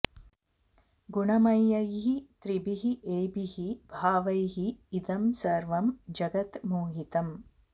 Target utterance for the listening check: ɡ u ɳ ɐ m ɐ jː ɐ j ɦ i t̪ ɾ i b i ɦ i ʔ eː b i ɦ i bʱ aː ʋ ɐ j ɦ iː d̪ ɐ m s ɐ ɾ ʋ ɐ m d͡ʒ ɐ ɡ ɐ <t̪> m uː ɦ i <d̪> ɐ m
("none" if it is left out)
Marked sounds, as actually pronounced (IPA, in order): t̪, t̪

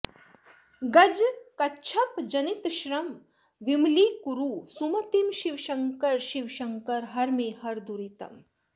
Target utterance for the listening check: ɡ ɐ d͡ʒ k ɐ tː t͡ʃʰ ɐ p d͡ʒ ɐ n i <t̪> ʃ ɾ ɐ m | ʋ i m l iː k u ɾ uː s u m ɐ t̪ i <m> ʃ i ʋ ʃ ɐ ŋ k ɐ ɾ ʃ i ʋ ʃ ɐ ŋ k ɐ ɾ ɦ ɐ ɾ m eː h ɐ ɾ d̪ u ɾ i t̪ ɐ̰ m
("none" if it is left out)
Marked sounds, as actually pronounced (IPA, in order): t̪, m

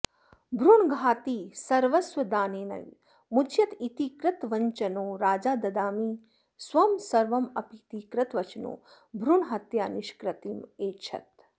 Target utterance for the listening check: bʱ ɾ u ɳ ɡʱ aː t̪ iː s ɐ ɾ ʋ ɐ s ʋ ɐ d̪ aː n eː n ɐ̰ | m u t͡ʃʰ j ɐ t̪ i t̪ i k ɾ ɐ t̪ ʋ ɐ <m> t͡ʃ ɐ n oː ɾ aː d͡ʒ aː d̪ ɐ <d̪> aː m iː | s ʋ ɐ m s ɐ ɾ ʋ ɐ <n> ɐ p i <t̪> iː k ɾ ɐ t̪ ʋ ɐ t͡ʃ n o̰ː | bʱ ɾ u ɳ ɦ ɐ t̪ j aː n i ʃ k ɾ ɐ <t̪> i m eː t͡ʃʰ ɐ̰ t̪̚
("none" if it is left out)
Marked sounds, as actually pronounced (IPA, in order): ɲ, d̪, m, t̪, t̪

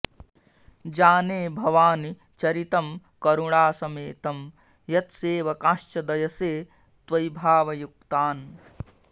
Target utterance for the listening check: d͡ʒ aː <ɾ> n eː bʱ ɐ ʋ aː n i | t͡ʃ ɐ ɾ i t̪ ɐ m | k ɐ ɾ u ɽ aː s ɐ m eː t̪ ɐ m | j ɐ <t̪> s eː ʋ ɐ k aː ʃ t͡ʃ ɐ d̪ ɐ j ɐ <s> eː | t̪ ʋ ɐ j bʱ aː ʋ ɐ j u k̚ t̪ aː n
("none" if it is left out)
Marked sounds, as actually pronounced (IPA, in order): none, t̪, s

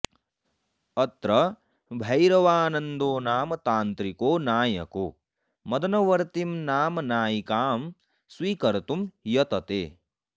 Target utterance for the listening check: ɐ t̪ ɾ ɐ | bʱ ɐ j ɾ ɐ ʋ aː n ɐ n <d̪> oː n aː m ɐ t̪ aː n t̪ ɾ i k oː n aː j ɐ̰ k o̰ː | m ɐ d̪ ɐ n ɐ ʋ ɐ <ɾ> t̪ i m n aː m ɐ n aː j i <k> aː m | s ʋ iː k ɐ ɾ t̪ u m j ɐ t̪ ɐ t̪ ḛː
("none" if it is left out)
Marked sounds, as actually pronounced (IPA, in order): d̪, ɾ, k

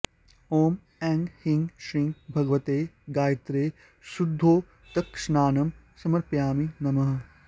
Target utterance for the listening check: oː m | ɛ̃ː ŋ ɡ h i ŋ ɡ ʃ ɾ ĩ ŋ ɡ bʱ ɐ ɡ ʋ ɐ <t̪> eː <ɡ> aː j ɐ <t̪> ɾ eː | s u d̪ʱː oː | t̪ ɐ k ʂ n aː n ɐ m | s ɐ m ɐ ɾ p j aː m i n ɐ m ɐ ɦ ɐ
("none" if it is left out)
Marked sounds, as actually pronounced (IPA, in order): t̪, ɡ, t̪

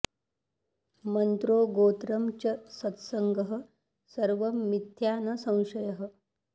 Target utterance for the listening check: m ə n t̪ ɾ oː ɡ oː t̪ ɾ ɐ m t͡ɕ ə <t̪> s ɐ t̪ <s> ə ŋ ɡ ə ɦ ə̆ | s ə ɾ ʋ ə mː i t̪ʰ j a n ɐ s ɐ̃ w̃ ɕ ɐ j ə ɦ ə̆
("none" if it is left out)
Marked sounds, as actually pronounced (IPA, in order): none, s

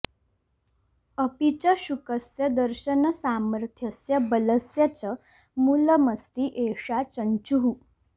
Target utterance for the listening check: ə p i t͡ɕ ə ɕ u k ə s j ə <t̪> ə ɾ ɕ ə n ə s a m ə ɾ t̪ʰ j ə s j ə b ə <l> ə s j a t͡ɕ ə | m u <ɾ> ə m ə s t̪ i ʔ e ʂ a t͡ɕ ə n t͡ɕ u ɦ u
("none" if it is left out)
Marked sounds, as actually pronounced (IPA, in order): d̪, l, l

